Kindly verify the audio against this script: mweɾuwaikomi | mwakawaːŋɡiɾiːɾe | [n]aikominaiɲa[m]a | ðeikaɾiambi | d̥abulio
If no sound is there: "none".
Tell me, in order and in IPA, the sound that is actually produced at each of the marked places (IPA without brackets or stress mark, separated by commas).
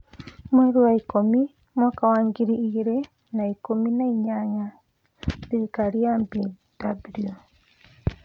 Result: n, ɲ